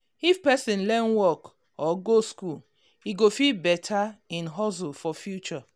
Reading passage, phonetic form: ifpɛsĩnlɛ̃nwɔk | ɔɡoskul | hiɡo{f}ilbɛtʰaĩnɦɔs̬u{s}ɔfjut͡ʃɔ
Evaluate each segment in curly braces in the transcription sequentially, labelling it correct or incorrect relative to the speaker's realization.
correct, incorrect: f

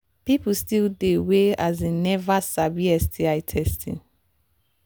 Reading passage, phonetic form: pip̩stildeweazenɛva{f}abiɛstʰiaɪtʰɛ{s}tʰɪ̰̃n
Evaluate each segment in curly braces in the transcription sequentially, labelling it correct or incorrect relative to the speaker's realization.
incorrect: s, correct

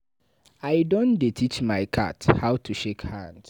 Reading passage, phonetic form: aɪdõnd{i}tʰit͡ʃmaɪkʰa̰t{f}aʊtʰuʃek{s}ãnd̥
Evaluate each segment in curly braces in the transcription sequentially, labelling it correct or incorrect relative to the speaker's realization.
incorrect: e, incorrect: h, incorrect: h

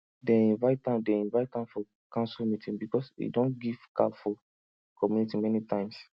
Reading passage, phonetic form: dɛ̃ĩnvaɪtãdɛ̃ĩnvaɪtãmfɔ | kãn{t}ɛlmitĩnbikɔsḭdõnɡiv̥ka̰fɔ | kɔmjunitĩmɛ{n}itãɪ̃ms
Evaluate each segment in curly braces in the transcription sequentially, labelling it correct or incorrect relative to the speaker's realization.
incorrect: s, correct

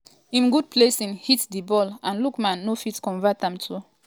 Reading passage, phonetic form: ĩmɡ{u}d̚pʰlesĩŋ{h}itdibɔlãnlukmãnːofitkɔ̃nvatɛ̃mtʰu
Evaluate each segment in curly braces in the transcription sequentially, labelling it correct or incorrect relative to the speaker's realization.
correct, correct

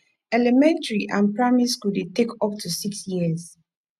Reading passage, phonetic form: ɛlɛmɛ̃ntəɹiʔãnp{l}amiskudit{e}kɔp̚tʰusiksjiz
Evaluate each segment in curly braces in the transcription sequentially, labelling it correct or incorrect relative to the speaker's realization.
incorrect: ɹ, correct

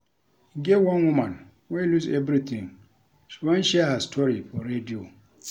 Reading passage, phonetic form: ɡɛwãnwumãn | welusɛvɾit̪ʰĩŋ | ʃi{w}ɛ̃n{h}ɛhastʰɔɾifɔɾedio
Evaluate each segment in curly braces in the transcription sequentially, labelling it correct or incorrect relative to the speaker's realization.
correct, incorrect: ʃ

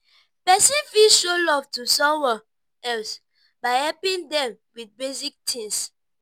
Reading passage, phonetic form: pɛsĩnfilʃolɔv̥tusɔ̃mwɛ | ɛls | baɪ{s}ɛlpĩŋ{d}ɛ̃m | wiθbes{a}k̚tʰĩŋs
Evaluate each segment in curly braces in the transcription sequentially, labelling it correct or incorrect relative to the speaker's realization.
incorrect: h, correct, incorrect: i

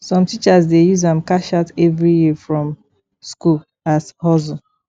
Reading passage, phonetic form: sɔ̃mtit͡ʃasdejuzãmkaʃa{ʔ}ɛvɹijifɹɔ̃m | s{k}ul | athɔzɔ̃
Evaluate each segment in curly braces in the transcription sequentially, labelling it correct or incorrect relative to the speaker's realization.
incorrect: t, correct

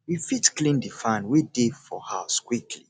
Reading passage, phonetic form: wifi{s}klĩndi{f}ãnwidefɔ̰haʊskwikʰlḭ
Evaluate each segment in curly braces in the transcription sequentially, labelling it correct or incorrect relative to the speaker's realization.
incorrect: t, correct

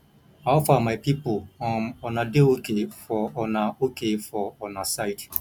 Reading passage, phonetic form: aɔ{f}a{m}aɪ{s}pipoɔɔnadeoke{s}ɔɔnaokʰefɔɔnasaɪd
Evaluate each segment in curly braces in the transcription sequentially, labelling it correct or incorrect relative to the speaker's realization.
correct, correct, incorrect: none, incorrect: f

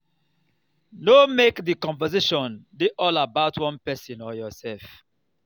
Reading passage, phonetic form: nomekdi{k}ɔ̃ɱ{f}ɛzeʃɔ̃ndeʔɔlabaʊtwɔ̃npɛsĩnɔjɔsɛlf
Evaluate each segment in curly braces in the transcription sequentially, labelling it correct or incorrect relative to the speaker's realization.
correct, incorrect: v

